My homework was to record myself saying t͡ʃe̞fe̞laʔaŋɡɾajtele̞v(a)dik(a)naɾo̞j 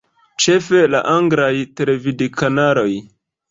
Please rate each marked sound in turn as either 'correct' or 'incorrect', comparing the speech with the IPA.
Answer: incorrect: i, correct

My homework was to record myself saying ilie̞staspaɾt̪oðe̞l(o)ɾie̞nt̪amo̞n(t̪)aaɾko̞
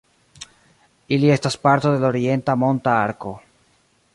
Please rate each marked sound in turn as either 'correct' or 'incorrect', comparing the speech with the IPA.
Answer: correct, correct

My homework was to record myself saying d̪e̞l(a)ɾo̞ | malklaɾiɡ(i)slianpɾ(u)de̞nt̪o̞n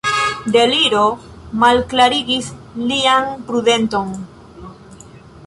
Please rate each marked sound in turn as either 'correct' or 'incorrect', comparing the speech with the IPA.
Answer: incorrect: i, correct, correct

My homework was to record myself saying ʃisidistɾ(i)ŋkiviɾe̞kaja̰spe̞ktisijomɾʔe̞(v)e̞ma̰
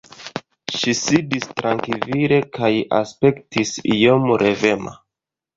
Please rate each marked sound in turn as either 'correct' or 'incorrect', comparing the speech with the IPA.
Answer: incorrect: a, correct

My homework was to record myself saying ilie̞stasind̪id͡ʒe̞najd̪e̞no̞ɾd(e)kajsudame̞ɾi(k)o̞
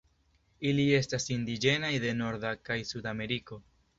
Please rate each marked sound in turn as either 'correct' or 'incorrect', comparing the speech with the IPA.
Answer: incorrect: a, correct

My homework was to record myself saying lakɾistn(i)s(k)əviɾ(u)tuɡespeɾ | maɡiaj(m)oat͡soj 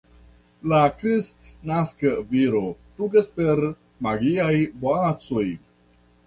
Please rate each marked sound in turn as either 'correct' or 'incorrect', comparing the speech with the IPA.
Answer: incorrect: a, correct, incorrect: o, incorrect: b

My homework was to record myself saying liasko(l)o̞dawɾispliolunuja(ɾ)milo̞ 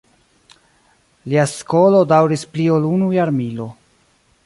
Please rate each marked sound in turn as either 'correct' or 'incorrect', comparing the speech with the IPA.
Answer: correct, correct

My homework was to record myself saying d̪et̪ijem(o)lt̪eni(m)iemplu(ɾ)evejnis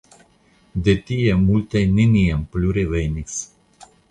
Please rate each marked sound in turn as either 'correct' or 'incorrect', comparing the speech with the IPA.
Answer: incorrect: u, incorrect: n, correct

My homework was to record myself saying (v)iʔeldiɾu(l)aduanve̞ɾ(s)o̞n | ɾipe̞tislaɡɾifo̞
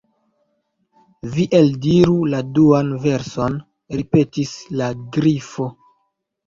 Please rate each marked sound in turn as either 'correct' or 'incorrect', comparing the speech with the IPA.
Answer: correct, correct, correct

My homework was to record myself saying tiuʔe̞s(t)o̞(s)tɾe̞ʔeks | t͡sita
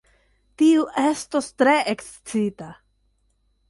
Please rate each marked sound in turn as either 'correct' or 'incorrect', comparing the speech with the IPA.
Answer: correct, correct

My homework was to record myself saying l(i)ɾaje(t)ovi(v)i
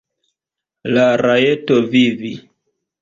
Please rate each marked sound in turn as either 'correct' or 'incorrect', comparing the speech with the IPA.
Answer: incorrect: a, correct, correct

